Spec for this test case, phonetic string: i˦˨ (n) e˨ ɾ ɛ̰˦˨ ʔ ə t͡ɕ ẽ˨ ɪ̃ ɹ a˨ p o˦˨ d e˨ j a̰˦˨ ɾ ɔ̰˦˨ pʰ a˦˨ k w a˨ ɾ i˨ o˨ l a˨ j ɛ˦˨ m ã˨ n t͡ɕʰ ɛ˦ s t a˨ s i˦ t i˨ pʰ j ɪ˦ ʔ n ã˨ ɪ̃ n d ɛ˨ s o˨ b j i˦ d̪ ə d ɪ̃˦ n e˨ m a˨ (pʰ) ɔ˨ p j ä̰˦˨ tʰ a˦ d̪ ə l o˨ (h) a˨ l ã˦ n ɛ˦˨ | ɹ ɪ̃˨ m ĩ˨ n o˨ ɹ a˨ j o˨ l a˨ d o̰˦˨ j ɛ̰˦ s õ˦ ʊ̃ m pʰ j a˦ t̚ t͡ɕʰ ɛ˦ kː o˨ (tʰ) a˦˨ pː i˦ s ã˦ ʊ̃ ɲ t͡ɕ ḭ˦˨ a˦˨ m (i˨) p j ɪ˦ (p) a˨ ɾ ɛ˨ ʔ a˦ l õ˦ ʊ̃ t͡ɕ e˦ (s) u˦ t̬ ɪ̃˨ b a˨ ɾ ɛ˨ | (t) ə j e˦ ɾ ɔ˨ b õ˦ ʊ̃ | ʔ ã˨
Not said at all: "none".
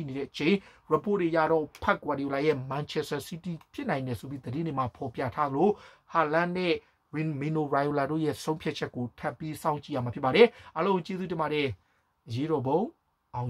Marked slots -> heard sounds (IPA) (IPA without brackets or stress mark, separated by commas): n, pʰ, h, tʰ, a˨, p, z, ʔ